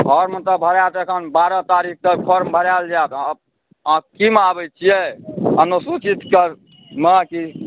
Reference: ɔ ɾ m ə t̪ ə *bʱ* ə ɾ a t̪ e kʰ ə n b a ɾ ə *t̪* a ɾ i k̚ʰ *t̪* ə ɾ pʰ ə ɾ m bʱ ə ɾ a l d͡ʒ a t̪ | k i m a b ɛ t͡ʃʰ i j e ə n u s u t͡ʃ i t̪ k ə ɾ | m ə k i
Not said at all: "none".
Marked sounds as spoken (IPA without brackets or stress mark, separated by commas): bʱ, t̪, t̪